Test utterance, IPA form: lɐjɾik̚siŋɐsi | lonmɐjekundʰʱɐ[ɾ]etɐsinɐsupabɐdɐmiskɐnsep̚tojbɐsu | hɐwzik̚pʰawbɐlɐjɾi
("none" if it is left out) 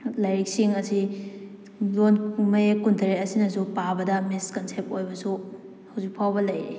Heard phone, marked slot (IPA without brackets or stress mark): ɾ